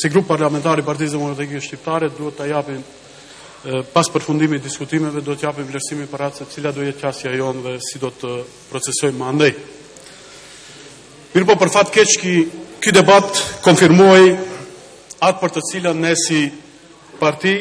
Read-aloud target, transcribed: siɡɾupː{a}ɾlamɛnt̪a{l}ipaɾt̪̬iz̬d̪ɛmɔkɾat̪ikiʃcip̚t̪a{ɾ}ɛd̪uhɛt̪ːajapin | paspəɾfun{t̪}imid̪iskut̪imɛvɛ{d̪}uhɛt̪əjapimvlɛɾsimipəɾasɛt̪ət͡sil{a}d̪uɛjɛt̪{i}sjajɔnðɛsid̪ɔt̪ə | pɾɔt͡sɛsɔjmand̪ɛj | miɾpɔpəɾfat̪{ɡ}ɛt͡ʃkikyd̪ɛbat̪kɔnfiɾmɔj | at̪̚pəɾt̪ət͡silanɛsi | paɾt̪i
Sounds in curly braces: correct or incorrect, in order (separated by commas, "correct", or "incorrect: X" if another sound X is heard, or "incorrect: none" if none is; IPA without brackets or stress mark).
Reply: correct, incorrect: ɾ, correct, incorrect: d̪, correct, correct, incorrect: a, incorrect: k